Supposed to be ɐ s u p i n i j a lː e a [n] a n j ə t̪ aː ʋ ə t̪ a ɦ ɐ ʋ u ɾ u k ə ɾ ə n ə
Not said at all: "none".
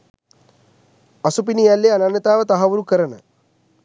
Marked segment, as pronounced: n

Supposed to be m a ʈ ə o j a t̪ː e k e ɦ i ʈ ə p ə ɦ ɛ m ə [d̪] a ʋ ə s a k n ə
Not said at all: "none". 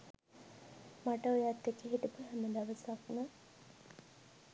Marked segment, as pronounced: d̪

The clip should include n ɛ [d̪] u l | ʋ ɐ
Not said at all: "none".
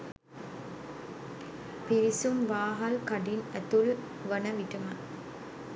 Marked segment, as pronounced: t̪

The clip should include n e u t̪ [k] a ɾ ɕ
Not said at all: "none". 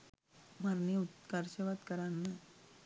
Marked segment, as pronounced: k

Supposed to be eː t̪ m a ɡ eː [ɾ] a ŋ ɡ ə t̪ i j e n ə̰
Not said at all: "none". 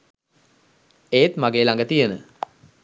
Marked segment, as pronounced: l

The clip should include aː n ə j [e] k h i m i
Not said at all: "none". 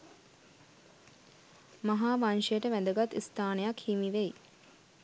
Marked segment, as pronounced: a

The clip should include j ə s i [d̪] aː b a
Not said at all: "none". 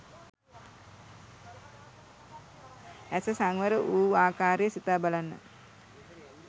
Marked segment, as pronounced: t̪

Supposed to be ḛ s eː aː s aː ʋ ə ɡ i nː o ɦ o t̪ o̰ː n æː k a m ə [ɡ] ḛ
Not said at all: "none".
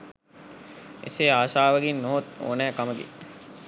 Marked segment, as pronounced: ɡ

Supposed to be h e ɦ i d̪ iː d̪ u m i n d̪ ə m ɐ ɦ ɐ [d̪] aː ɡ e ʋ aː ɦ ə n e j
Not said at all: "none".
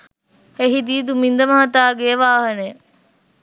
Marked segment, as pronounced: t̪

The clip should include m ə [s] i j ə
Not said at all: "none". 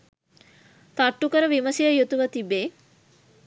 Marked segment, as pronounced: s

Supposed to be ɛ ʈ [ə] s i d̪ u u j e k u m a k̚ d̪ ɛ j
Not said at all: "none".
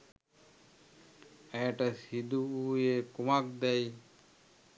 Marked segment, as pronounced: a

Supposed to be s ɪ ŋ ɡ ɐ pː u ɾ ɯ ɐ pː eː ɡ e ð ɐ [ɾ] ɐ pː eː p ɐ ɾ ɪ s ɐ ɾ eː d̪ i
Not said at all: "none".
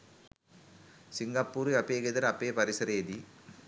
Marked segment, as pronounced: ɾ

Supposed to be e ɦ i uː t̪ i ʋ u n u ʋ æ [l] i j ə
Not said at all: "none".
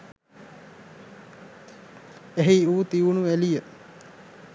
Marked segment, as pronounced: l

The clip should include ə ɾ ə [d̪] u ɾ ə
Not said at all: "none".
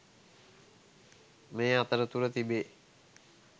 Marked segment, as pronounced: t̪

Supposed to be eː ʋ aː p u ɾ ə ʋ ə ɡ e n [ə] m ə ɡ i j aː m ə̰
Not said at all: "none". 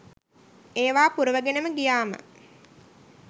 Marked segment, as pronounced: ə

